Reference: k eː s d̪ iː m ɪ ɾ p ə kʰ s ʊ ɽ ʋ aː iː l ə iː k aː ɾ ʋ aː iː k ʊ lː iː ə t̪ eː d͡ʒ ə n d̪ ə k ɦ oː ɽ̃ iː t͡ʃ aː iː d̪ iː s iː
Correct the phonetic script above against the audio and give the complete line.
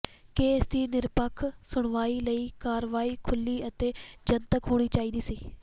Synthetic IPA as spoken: k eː s d̪ iː n ɪ ɾ p ə kʰ s ʊ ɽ ʋ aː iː l ə iː k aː ɾ ʋ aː iː kʰ ʊ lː iː ə t̪ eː d͡ʒ ə n t̪ ə k ɦ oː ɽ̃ iː t͡ʃ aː iː d̪ iː s iː

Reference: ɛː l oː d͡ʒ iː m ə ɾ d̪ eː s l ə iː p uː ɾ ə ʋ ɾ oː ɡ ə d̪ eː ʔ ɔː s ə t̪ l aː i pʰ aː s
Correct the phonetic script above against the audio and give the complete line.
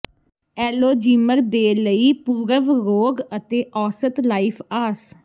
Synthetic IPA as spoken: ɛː l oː d͡ʒ iː m ə ɾ d̪ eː l ə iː p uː ɾ ə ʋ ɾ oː ɡ ə t̪ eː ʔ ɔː s ə t̪ l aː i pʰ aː s

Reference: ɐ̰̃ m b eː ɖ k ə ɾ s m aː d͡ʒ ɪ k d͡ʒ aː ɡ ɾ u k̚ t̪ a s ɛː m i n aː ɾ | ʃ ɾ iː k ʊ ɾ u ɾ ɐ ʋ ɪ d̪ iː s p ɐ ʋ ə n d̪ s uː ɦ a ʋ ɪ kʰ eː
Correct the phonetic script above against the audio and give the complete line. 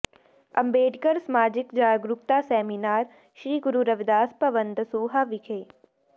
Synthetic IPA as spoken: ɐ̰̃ m b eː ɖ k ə ɾ s m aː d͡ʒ ɪ k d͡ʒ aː ɡ ɾ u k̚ t̪ a s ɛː m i n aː ɾ | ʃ ɾ iː ɡ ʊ ɾ u ɾ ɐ ʋ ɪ d̪ aː s p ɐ ʋ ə n d̪ s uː ɦ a ʋ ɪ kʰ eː

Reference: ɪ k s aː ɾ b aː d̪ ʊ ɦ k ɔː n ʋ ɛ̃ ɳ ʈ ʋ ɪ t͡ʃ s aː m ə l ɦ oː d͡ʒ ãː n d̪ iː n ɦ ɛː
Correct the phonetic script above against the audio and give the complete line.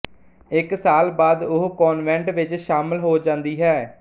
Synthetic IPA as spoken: ɪ k s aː l b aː d̪ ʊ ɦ k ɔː n ʋ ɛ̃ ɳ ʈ ʋ ɪ t͡ʃ ʃ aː m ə l ɦ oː d͡ʒ ãː n d̪ iː ɦ ɛː

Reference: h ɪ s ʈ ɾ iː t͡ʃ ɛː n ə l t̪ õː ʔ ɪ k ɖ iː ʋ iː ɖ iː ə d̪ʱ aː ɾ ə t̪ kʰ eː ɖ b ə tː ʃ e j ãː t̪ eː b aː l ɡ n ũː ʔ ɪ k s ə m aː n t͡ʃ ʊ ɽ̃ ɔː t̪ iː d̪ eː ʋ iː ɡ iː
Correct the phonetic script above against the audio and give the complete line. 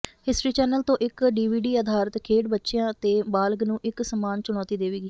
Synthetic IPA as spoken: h ɪ s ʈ ɾ iː t͡ʃ ɛː n ə l t̪ õː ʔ ɪ k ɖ iː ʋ iː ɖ iː ə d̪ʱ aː ɾ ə t̪ kʰ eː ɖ b ə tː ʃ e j ãː t̪ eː b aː l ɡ n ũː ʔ ɪ k s ə m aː n t͡ʃ ʊ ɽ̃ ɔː t̪ iː d̪ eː ʋ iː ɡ iː

